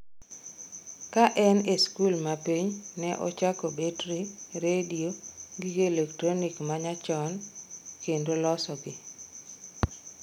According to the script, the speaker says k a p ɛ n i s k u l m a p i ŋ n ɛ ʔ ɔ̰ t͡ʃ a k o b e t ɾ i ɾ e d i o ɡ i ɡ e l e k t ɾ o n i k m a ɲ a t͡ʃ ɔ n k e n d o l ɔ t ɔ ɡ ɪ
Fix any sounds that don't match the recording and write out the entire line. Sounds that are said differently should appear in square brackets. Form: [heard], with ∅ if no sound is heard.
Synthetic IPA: k a [ʔ] ɛ n [e] s k u l m a p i [ɲ] n ɛ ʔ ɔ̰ t͡ʃ a k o b e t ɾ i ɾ e d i o ɡ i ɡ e l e k t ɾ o n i k m a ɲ a t͡ʃ ɔ n k e n d o l ɔ [s] ɔ ɡ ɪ